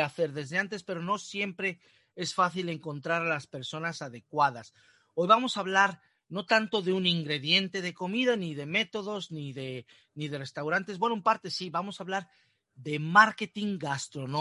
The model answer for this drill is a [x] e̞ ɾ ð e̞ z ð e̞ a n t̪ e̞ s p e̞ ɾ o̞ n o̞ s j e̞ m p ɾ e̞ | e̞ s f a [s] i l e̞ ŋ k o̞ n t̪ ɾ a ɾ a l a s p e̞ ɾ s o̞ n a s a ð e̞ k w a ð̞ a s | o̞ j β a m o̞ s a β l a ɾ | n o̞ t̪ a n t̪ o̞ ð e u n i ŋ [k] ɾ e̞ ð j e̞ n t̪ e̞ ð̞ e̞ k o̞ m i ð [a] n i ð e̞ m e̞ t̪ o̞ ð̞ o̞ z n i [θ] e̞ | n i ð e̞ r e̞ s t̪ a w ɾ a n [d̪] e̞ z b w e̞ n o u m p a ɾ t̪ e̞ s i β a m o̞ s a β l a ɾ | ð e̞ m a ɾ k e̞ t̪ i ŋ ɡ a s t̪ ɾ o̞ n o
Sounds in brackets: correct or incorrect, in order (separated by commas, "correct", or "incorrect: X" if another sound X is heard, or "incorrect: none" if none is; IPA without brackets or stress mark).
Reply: incorrect: θ, incorrect: θ, incorrect: ɡ, correct, incorrect: ð, incorrect: t̪